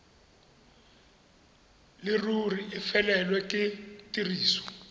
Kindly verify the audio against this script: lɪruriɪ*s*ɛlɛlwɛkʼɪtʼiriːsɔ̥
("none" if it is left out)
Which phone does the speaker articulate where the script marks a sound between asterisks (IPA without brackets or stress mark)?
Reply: f